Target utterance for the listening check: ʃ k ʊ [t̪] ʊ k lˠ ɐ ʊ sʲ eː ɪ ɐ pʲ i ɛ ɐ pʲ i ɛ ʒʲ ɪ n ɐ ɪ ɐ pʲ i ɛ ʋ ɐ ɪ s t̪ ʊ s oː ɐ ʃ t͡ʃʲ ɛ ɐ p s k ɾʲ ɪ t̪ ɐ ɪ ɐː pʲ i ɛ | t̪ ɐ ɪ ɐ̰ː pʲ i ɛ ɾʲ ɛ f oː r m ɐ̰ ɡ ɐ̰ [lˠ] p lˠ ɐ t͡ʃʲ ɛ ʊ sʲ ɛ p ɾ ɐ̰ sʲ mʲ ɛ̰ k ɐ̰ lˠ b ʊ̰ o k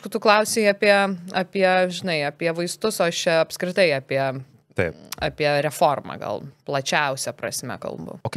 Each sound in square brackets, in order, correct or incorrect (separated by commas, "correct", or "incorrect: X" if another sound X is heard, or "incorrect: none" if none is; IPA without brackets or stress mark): correct, correct